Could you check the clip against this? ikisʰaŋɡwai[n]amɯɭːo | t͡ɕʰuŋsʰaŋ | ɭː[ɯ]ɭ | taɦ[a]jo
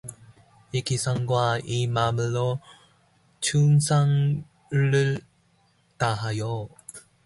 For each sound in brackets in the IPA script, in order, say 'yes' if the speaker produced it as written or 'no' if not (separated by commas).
no, yes, yes